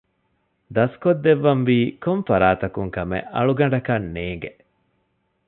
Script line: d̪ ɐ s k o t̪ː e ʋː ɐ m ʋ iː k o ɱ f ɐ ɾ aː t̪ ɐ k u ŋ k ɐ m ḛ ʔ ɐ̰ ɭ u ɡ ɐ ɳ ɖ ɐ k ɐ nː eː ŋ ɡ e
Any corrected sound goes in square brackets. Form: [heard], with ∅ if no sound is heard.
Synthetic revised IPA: d̪ ɐ s k o [d̪ː] e ʋː ɐ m ʋ iː k o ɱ f ɐ ɾ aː t̪ ɐ k u ŋ k ɐ m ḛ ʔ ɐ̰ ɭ u ɡ ɐ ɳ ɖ ɐ k ɐ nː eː ŋ ɡ e